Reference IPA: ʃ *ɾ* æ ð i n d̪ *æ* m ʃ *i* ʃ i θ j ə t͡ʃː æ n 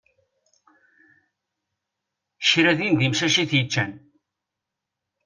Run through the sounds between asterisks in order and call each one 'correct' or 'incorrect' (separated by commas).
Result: correct, incorrect, incorrect